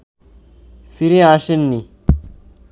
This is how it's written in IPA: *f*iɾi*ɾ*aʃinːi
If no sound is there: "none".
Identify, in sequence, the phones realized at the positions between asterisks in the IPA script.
f, none

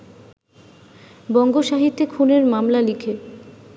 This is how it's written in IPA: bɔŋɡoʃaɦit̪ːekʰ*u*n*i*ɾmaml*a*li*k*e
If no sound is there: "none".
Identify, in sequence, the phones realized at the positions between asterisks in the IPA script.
u, e, a, kʰ

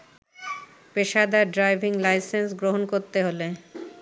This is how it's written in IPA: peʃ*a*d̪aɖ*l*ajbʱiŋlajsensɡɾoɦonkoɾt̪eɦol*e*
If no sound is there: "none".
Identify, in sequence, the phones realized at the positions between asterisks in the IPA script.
a, ɾ, e

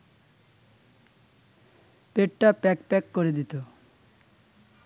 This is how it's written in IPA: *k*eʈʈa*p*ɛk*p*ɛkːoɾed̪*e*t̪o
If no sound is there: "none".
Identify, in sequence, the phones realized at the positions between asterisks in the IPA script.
p, p, p, i

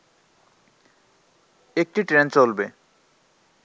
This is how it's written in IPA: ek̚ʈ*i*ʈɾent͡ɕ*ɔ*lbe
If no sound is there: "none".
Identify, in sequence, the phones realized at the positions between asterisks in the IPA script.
i, o

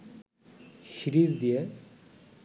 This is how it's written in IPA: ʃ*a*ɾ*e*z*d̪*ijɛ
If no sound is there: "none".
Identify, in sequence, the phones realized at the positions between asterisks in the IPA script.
i, i, d̪

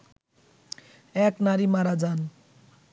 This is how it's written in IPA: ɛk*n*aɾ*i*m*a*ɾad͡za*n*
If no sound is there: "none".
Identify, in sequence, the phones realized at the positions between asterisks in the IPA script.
n, i, a, n

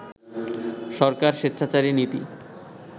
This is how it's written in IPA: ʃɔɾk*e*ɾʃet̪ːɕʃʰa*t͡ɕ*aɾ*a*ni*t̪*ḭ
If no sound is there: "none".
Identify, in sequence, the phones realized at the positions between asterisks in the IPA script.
a, t͡ɕ, i, t̪

